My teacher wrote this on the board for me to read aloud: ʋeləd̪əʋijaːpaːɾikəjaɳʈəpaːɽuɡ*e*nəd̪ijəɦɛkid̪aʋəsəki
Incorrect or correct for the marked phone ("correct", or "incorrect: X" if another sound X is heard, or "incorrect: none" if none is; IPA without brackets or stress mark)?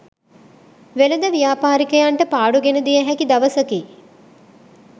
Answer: correct